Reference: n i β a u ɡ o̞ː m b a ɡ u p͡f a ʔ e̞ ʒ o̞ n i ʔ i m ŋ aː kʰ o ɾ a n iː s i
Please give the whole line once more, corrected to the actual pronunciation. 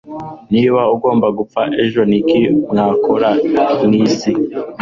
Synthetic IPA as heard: n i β a u ɡ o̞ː m b a ɡ u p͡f a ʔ e̞ ʒ o̞ n i k i m ŋ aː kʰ o ɾ a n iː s i